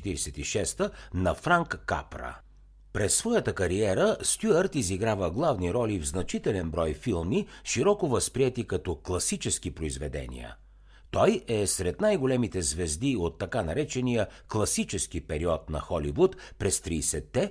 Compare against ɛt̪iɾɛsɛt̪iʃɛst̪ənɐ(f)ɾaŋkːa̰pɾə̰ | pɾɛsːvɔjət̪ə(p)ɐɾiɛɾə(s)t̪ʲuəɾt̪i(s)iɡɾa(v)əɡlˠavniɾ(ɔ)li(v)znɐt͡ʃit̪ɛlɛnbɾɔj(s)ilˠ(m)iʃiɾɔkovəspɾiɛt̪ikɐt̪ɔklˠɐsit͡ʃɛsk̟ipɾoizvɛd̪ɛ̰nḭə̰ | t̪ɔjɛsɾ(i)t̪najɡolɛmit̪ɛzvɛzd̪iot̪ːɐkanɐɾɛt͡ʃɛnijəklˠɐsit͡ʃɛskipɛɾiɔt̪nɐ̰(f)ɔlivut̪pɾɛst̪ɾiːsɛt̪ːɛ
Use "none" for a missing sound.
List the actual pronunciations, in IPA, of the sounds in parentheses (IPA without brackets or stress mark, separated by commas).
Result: f, k, s, z, v, ɔ, v, f, m, ɛ, x